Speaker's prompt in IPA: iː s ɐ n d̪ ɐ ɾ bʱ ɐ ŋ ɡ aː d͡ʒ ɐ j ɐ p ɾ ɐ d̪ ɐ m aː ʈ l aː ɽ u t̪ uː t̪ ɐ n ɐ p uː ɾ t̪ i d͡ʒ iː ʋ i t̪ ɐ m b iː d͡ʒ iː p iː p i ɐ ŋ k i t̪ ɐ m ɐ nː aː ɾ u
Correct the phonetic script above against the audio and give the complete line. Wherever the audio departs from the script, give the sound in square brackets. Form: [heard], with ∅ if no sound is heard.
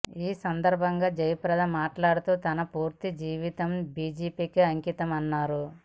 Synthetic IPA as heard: iː s ɐ n d̪ ɐ ɾ bʱ ɐ ŋ ɡ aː d͡ʒ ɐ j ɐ p ɾ ɐ d̪ ɐ m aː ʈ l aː ɽ u t̪ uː t̪ ɐ n ɐ p uː ɾ t̪ i d͡ʒ iː ʋ i t̪ ɐ m b iː d͡ʒ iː p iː [k] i ɐ ŋ k i t̪ ɐ m ɐ nː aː ɾ u